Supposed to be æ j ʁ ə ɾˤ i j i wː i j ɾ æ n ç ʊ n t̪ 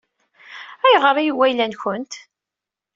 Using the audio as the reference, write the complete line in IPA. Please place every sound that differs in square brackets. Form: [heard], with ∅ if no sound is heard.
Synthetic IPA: æ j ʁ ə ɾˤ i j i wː [æ] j [l] æ n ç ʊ n t̪

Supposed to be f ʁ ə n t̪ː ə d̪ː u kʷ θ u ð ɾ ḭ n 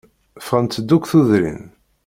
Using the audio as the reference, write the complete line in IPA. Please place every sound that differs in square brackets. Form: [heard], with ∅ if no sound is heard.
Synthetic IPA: f ʁ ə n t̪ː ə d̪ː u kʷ θ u ð ɾ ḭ n

